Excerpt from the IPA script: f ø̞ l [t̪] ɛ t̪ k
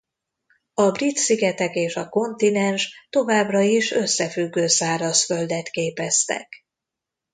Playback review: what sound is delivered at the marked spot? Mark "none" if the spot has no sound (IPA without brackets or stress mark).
d̪